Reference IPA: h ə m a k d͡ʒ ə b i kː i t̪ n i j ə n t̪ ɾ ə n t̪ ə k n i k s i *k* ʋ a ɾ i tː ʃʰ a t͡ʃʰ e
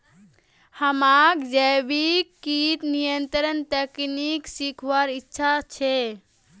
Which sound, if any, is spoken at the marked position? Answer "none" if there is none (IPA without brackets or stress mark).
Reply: kʰ